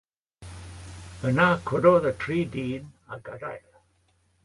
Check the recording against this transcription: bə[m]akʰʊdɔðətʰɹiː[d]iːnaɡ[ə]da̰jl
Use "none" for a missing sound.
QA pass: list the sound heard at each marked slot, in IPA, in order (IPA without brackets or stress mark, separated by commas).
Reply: n, d, a